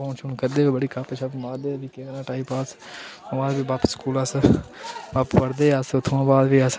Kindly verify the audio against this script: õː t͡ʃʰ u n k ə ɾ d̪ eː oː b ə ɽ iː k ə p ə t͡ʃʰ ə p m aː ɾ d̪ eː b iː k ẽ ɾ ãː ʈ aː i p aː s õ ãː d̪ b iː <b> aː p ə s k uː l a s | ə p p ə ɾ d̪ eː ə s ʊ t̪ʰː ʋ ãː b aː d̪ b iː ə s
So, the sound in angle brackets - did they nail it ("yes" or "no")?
yes